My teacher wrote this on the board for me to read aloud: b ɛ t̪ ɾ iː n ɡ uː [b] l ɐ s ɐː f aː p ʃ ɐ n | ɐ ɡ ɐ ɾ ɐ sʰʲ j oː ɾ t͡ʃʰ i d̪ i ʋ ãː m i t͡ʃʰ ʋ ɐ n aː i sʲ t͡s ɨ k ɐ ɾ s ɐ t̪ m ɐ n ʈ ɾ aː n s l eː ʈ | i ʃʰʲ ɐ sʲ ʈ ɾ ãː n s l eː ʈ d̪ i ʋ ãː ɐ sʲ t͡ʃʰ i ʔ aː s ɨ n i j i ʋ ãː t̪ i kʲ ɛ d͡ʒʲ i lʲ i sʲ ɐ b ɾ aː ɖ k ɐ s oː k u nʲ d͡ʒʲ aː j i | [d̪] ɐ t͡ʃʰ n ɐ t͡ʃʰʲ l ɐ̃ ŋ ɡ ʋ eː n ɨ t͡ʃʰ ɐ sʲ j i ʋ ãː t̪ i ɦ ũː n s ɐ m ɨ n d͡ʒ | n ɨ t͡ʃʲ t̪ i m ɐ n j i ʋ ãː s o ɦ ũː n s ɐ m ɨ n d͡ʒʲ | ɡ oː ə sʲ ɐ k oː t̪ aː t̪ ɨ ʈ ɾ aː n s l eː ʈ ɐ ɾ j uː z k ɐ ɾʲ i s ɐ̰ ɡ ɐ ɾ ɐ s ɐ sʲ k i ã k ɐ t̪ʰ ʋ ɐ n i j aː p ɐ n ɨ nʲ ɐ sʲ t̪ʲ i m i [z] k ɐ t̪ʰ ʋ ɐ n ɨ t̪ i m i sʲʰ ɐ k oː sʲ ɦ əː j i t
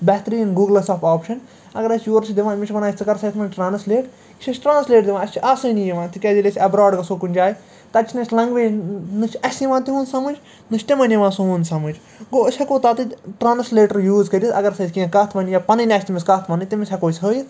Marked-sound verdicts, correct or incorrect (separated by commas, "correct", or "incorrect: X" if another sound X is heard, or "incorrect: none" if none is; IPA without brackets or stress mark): incorrect: ɡ, incorrect: t̪, incorrect: s